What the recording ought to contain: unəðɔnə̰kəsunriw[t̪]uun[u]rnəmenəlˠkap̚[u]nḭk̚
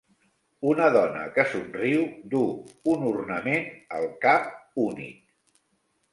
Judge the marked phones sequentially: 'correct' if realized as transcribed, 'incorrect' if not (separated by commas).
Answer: incorrect, correct, correct